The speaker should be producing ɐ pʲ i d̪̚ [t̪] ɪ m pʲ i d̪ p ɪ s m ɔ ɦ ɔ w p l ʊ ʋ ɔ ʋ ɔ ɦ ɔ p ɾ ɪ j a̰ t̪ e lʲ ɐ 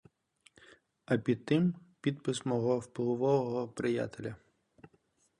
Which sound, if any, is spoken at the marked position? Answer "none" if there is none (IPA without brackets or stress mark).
t̪